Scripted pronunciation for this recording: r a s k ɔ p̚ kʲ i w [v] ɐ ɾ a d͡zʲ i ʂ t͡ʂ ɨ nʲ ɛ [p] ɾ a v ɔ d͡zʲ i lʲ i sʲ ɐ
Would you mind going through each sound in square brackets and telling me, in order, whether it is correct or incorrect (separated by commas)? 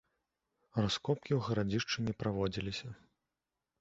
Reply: incorrect, correct